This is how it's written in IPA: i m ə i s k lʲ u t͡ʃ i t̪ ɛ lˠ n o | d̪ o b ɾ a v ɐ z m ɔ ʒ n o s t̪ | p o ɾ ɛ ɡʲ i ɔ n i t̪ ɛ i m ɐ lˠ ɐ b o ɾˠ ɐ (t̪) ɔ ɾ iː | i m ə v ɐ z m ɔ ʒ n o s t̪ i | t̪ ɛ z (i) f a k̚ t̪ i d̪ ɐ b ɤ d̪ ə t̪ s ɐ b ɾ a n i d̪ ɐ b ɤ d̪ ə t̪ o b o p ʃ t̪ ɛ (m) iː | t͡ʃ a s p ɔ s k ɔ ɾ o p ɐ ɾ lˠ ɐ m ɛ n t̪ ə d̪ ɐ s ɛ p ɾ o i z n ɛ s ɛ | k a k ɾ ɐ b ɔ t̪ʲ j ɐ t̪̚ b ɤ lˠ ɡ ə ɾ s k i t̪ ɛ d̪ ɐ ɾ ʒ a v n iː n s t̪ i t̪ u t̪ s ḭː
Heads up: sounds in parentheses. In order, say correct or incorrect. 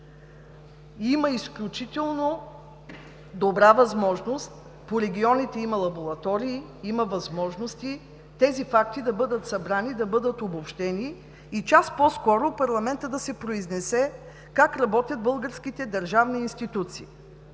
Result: correct, correct, incorrect: n

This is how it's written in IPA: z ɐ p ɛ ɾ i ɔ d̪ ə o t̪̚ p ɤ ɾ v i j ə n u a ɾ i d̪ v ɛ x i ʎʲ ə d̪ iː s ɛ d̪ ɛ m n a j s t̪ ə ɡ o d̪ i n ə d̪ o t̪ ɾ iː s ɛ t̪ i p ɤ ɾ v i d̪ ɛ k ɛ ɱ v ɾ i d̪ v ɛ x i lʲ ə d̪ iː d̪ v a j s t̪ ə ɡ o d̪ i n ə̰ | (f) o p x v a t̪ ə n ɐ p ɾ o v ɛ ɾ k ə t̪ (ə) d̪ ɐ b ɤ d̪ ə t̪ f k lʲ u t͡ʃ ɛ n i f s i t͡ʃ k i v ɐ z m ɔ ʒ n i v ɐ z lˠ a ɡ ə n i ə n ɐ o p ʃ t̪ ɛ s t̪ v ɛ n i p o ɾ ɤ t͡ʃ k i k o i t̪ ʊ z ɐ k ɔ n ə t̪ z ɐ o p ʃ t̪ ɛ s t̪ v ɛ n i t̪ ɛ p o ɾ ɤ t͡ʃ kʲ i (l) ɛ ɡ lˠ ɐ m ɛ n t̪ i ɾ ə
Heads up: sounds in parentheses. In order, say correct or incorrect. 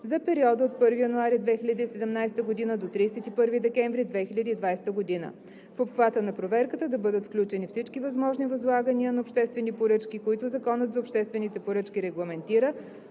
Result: correct, correct, incorrect: ɾ

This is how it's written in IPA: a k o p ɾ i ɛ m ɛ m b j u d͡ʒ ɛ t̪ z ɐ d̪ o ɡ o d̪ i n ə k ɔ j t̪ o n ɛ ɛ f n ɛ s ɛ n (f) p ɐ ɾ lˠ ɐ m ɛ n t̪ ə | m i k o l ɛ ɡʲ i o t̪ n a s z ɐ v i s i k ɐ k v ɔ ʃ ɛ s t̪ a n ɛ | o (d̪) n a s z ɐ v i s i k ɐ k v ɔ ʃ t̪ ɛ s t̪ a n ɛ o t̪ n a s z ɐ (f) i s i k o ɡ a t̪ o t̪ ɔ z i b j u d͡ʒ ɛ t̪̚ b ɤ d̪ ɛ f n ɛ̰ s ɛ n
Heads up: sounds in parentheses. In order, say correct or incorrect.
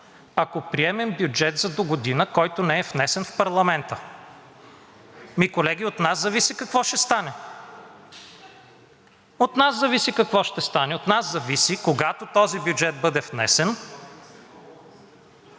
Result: correct, incorrect: t̪, incorrect: v

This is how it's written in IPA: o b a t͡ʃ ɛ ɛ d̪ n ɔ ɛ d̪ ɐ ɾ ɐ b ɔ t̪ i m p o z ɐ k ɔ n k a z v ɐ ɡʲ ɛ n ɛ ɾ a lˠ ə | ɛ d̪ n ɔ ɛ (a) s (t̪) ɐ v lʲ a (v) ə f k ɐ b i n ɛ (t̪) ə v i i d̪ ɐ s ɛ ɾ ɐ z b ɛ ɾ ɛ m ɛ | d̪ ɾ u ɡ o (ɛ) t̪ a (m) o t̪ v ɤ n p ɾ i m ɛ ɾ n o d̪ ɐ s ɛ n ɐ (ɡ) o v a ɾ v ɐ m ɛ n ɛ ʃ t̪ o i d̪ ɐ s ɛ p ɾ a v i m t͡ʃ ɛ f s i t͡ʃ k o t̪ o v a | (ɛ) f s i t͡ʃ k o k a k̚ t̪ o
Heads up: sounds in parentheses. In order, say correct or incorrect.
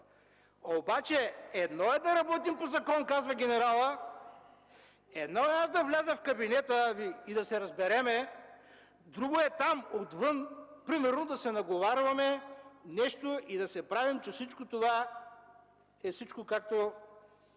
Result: correct, incorrect: d̪, incorrect: z, correct, correct, correct, correct, correct

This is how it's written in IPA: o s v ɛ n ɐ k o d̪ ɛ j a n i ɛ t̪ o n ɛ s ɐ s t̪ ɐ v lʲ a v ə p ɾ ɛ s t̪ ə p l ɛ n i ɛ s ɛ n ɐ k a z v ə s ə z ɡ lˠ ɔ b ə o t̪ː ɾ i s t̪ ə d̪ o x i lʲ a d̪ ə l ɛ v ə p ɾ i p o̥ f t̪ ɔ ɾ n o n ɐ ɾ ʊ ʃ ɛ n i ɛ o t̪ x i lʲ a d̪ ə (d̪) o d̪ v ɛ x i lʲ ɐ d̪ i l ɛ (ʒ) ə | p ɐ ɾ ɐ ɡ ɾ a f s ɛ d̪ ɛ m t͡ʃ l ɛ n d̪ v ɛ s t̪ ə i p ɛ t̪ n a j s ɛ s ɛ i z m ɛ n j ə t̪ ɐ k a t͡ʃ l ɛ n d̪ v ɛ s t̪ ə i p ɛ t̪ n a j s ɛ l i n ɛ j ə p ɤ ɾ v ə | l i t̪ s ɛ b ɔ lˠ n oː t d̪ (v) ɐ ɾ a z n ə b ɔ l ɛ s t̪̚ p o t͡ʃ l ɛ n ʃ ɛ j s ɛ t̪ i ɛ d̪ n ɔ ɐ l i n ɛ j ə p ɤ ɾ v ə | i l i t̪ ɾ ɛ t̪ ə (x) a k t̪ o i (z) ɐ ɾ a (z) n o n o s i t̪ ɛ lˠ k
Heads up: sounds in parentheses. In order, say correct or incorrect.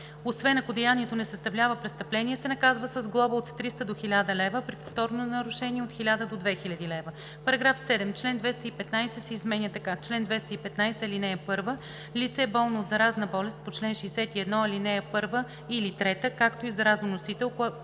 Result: correct, incorrect: v, incorrect: z, incorrect: k, correct, correct

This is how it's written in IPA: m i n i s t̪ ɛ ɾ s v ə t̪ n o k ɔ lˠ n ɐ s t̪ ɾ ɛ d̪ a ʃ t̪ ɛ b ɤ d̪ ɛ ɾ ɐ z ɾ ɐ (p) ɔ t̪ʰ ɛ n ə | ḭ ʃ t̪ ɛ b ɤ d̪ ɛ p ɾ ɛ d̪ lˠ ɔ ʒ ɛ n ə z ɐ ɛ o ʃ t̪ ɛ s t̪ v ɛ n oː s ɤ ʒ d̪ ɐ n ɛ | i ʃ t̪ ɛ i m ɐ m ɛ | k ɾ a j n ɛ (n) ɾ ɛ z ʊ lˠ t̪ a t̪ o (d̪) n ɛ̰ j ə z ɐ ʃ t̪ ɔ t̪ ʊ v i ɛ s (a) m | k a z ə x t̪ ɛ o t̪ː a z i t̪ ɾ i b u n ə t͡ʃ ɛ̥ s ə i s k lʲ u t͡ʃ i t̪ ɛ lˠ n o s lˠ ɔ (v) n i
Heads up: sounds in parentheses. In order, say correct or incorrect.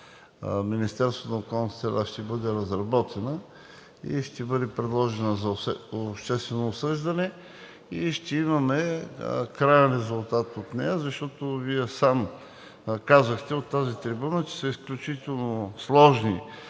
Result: incorrect: b, correct, incorrect: t̪, correct, incorrect: ʒ

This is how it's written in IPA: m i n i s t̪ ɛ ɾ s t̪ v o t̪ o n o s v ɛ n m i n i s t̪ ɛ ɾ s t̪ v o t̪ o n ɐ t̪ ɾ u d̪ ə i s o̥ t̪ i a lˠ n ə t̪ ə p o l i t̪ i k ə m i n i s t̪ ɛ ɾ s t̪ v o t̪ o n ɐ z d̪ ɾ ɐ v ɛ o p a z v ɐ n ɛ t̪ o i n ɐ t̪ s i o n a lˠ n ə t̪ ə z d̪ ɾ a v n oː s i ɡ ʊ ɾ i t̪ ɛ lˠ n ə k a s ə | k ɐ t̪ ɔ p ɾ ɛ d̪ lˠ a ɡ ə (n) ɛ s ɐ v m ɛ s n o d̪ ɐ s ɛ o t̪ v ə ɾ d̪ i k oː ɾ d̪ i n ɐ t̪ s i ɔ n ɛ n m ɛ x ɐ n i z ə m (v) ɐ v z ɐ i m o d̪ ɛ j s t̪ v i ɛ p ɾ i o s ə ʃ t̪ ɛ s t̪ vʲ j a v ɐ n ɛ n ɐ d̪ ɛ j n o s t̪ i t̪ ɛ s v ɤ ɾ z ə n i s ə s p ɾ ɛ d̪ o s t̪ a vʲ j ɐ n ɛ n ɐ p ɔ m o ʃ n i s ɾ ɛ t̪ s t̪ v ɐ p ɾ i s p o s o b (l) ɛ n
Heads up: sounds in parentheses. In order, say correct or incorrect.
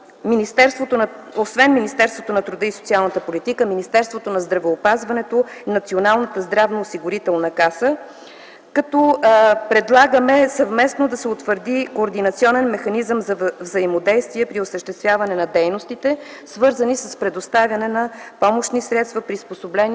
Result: incorrect: m, incorrect: z, correct

